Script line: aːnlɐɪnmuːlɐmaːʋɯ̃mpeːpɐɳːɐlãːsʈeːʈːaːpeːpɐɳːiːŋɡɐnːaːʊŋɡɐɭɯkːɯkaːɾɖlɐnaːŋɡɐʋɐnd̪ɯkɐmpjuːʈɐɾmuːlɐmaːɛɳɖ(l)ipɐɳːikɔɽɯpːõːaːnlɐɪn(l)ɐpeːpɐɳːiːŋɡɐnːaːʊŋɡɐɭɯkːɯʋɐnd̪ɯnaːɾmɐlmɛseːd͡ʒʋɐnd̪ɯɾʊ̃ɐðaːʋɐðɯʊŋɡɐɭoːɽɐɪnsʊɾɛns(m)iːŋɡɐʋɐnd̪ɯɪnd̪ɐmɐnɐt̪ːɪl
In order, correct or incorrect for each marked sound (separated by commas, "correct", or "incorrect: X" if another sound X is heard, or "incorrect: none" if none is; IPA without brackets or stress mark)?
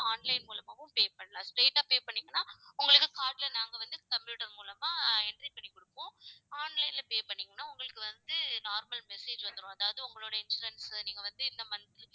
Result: incorrect: ɾ, correct, incorrect: n